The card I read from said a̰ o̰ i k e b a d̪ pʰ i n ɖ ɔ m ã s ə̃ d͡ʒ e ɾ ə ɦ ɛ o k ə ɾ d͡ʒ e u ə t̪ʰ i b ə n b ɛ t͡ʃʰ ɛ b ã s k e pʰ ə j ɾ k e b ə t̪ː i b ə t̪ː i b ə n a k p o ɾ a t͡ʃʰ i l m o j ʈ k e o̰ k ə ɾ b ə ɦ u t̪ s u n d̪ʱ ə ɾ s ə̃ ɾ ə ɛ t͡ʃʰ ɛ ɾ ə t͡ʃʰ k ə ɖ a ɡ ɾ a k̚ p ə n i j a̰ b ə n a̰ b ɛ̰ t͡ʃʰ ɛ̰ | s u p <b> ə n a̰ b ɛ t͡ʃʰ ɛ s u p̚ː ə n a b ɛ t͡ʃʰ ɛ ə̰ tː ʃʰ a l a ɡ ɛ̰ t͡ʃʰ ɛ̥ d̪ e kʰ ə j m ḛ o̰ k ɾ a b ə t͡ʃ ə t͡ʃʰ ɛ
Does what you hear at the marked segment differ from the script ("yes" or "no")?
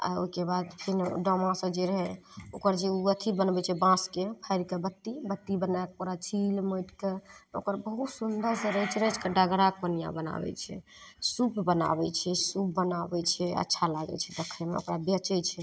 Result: no